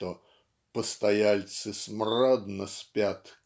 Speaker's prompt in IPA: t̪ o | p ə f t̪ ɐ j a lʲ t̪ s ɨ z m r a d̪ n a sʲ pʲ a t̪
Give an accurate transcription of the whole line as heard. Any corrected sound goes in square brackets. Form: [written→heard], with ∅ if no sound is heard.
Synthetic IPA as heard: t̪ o | p ə [f→s] t̪ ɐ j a lʲ t̪ s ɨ [z→s] m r a d̪ n [a→ə] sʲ pʲ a t̪